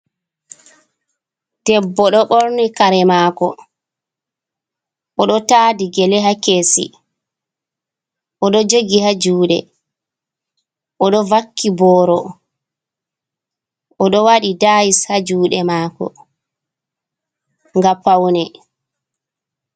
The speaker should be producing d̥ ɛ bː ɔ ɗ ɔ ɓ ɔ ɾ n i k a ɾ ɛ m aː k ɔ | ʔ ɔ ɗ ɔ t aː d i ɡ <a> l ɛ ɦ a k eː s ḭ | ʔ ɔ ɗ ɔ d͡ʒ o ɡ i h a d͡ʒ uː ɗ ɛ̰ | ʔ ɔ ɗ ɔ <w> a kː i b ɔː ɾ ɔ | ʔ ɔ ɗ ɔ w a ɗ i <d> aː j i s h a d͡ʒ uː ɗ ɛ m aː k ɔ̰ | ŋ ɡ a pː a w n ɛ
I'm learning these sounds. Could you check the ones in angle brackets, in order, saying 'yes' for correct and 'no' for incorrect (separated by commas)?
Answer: no, no, yes